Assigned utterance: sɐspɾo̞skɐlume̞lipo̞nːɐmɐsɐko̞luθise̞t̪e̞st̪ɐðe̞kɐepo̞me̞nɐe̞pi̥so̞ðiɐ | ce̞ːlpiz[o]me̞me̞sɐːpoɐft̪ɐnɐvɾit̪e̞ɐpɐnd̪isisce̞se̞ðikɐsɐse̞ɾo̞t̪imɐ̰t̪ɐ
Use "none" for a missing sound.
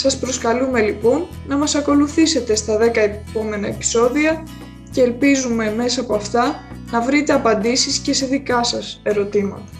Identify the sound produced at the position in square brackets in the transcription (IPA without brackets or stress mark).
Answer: u